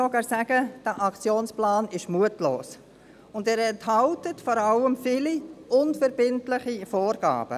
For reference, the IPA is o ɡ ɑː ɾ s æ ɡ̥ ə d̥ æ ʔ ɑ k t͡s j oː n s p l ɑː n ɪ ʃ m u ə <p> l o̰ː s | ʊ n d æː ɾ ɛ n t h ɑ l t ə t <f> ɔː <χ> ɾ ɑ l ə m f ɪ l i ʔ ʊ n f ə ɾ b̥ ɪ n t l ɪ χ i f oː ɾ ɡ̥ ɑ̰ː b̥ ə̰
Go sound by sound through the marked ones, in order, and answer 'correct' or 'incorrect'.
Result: incorrect: t, correct, incorrect: none

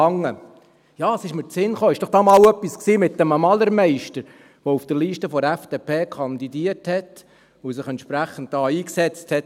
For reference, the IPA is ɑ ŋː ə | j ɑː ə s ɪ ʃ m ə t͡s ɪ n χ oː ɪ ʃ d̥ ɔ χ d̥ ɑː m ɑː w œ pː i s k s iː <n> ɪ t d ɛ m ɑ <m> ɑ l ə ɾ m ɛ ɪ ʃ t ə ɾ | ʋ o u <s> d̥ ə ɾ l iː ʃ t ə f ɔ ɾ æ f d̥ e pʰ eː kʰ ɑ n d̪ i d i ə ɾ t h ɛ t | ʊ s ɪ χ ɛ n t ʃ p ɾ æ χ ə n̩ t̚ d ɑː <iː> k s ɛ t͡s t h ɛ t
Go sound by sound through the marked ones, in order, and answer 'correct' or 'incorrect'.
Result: incorrect: m, correct, incorrect: f, correct

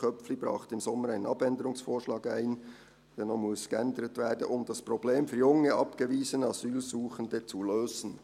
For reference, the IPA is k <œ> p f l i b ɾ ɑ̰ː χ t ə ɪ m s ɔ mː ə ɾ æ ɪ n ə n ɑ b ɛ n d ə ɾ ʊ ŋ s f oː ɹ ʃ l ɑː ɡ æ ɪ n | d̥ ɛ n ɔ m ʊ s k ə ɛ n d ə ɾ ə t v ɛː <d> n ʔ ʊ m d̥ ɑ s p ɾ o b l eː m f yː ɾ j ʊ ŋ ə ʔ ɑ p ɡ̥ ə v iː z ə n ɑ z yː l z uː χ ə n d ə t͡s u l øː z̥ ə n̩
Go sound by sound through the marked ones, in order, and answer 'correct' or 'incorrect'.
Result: correct, correct

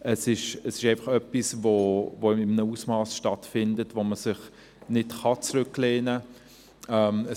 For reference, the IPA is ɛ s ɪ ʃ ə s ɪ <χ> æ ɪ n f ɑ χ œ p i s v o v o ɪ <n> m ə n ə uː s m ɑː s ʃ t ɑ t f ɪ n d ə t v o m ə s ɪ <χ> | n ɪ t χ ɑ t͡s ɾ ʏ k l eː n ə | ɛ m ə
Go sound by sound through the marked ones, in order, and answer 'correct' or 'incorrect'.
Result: incorrect: ʃ, incorrect: none, correct

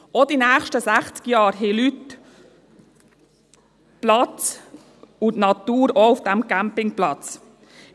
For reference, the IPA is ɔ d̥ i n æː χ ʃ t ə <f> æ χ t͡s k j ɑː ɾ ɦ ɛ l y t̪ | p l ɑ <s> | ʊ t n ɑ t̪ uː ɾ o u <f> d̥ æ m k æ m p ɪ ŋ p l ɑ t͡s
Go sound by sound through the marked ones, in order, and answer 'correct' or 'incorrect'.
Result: incorrect: s, incorrect: t͡s, correct

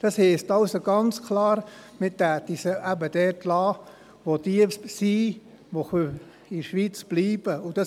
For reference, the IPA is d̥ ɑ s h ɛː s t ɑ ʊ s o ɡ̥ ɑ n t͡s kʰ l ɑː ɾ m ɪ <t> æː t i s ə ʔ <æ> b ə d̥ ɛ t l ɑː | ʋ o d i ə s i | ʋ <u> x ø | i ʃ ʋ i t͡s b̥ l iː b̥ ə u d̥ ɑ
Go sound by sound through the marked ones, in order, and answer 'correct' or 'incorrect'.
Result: correct, correct, incorrect: o

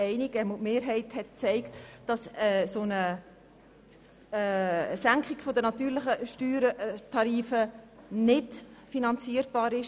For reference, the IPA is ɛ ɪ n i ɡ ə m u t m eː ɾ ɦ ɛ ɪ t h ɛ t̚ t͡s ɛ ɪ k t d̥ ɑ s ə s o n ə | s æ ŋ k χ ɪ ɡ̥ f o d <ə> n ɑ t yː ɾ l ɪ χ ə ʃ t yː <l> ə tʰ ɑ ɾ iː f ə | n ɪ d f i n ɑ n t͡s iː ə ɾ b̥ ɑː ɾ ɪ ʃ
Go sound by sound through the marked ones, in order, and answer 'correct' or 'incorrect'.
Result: correct, incorrect: ɾ

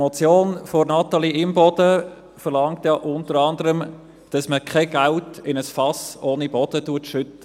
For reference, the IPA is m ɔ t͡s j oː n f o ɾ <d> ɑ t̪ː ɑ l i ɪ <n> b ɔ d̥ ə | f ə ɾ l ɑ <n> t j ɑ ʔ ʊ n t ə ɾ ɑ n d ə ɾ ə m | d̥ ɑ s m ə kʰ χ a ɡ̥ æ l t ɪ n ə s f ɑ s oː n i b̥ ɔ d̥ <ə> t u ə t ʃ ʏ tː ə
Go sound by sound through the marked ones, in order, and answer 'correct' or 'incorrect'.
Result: incorrect: n, incorrect: m, incorrect: ŋ, correct

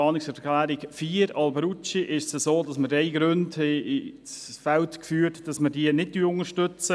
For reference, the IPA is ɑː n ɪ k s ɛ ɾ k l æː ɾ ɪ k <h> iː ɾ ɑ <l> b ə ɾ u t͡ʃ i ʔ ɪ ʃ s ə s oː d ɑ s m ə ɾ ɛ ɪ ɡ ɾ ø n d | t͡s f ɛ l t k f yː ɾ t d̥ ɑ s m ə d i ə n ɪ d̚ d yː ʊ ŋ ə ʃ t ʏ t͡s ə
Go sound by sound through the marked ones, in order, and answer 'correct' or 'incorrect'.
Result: incorrect: f, correct

